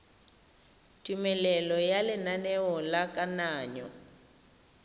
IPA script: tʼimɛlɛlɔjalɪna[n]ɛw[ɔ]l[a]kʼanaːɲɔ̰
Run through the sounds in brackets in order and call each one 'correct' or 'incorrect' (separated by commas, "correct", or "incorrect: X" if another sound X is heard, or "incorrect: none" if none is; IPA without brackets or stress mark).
correct, correct, correct